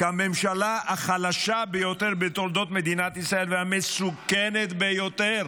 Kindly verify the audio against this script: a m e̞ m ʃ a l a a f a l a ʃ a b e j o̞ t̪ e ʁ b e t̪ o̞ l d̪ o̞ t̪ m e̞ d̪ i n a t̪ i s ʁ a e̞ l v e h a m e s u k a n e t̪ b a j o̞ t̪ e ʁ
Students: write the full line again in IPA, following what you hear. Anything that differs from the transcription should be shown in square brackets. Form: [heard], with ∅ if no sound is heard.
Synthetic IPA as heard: a m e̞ m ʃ a l a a [χ] a l a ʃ a b e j o̞ t̪ e ʁ b e t̪ o̞ l d̪ o̞ t̪ m e̞ d̪ i n a t̪ i s ʁ a e̞ l v e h a m e s u k [e] n e t̪ b [e] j o̞ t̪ e ʁ